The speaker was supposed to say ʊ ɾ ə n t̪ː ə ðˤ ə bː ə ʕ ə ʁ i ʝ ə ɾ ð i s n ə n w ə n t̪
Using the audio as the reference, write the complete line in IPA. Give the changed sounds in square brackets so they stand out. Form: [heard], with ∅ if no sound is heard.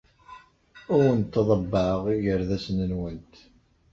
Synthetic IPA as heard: ʊ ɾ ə n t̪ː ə ðˤ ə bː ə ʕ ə ʁ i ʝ ə ɾ ð [æ] s n ə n w ə n t̪